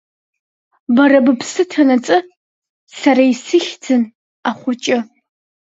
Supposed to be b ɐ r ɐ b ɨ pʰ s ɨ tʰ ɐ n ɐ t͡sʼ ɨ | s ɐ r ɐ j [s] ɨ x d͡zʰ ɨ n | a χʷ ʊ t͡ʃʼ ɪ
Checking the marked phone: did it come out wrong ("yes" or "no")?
no